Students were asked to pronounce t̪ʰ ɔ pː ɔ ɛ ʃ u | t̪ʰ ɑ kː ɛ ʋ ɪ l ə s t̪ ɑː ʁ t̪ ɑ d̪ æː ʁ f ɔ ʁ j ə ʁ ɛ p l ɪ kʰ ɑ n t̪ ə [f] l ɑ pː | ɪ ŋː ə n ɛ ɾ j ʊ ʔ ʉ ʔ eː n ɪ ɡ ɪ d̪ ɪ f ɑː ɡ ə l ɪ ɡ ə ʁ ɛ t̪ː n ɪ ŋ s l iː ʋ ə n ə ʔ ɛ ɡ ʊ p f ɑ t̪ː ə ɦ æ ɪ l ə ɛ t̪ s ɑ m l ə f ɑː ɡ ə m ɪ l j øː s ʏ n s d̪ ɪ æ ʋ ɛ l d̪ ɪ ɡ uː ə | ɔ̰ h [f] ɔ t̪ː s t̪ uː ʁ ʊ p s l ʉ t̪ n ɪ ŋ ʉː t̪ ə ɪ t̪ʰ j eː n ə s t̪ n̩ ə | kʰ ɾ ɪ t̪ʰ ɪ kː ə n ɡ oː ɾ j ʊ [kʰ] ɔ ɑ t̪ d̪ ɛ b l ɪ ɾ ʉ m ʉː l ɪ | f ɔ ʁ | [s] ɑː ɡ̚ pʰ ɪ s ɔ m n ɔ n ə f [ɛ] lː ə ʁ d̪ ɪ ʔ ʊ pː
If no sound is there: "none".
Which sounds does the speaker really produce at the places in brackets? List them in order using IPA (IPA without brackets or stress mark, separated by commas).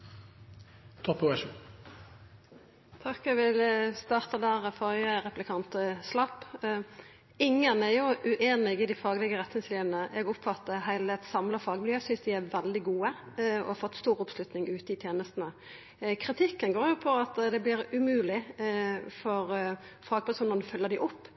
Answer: s, f, pʰ, f, œ